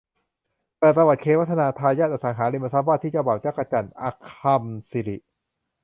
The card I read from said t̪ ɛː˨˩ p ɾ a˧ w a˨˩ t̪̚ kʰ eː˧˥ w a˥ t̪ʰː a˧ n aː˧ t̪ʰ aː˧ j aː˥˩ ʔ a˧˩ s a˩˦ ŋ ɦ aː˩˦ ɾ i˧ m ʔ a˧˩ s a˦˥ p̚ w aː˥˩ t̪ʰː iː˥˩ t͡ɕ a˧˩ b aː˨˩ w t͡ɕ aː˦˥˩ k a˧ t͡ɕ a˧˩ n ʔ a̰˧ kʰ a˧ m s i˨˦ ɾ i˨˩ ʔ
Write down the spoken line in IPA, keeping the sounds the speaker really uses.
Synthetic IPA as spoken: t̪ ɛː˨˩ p ɾ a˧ w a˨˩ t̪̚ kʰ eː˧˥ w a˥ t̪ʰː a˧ n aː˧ t̪ʰ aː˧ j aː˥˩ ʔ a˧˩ s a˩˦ ŋ ɦ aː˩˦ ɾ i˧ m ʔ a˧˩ s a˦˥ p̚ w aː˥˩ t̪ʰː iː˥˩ t͡ɕ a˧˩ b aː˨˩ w t͡ɕ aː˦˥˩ k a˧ t͡ɕ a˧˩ n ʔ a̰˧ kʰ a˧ m s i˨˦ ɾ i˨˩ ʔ